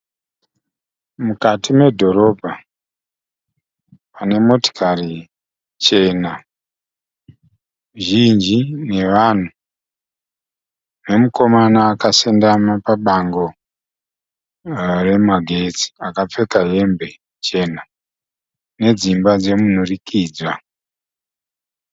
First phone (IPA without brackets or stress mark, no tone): m